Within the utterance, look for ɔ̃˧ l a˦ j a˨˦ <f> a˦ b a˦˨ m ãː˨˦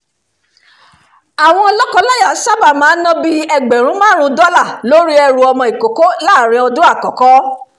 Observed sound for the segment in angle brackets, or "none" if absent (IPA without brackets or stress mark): s